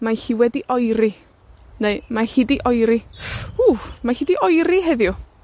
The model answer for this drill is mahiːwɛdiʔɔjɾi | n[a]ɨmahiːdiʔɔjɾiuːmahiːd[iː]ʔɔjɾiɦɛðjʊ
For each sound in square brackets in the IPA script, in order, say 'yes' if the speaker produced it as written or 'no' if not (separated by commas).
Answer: no, no